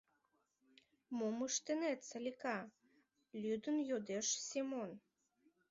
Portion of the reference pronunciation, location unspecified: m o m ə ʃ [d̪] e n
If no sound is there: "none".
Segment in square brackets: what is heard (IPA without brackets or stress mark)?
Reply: t̪